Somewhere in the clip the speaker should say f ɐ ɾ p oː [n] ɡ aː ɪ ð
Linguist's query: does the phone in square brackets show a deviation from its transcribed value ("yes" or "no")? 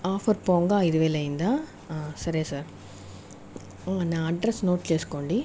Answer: yes